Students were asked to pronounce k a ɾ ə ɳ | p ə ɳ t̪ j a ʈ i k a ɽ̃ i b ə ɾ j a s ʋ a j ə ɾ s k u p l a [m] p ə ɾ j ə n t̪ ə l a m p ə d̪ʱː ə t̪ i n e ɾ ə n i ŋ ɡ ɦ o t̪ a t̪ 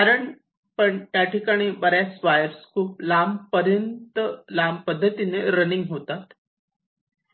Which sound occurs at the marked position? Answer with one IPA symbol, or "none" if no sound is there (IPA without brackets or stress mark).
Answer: m